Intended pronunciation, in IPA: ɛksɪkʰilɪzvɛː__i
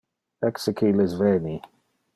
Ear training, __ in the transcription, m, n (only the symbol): n